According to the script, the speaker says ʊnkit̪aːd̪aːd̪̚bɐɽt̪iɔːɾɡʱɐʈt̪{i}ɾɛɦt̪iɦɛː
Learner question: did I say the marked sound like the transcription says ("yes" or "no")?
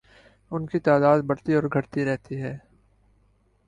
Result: yes